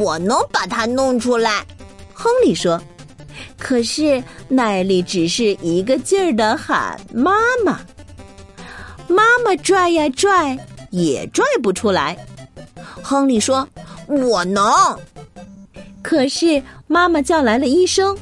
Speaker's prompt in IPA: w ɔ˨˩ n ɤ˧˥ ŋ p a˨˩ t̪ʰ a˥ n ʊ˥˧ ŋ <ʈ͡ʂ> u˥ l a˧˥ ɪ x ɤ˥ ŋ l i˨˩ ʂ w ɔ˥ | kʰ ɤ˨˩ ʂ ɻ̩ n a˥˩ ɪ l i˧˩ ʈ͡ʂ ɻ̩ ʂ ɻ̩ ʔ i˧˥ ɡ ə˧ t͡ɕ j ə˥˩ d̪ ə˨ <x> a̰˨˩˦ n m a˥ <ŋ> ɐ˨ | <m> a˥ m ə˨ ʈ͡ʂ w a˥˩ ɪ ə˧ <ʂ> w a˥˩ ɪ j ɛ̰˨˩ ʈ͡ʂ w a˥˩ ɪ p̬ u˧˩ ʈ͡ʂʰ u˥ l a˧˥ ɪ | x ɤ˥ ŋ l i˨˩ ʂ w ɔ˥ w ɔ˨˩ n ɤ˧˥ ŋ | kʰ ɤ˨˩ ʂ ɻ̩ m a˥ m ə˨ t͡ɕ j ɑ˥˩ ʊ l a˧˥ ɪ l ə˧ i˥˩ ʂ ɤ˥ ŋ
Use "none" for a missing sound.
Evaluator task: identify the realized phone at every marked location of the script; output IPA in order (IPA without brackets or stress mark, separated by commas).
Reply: ʈ͡ʂʰ, x, m, m, ʈ͡ʂ